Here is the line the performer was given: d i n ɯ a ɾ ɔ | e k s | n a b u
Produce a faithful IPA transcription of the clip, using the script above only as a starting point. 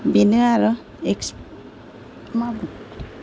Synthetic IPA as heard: b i n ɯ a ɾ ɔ | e k s | m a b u